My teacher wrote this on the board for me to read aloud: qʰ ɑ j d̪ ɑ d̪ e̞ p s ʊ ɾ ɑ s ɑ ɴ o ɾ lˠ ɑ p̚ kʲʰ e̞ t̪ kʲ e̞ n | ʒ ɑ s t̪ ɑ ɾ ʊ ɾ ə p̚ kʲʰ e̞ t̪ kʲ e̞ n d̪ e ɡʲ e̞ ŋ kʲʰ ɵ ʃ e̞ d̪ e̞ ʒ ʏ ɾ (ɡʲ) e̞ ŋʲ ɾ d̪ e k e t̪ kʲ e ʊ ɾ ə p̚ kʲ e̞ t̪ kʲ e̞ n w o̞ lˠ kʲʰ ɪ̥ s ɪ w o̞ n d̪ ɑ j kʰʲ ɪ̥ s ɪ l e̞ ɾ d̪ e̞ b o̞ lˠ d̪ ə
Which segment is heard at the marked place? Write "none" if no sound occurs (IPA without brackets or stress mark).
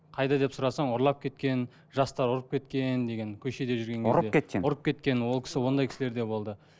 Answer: ɡʲ